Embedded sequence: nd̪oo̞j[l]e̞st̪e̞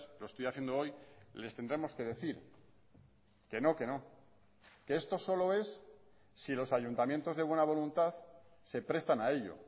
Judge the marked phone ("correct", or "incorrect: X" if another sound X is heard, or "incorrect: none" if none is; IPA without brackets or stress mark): correct